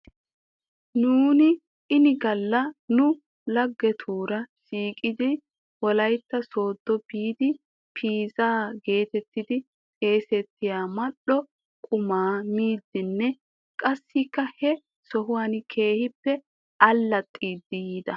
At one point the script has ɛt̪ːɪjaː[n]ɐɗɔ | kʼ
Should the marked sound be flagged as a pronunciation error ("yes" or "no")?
yes